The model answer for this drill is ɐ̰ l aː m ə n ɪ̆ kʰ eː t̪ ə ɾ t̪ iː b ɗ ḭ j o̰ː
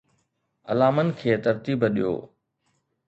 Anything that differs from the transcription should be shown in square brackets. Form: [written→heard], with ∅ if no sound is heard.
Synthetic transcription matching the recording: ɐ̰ l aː m ə n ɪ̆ kʰ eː t̪ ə ɾ t̪ iː b ɗ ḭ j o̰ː